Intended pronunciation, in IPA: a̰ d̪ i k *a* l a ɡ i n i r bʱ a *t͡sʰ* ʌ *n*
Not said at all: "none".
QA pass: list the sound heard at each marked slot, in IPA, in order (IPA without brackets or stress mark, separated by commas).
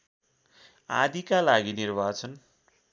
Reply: a, t͡sʰ, n